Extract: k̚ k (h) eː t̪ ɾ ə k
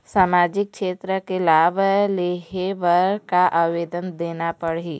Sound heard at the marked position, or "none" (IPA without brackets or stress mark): ʃ